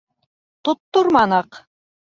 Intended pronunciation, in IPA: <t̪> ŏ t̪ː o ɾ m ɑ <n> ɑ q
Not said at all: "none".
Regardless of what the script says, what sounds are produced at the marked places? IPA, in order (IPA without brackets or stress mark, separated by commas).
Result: t̪, n